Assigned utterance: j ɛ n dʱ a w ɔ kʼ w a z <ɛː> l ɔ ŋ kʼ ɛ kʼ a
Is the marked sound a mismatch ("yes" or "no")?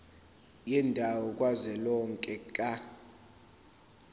yes